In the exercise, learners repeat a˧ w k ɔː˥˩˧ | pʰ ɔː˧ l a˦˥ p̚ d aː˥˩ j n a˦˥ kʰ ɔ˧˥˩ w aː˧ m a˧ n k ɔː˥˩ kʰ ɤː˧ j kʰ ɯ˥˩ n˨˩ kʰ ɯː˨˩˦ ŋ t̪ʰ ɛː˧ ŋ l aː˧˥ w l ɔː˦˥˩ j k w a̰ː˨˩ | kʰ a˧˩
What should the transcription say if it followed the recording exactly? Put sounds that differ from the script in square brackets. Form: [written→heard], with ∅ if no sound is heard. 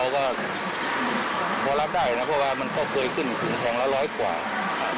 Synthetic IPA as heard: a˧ w k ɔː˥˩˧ | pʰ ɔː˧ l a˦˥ p̚ d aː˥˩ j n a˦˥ [kʰ→pʰ] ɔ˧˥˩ w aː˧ m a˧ n k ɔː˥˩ kʰ ɤː˧ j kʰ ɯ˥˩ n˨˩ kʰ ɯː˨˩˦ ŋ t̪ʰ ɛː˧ ŋ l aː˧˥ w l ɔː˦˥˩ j k w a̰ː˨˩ | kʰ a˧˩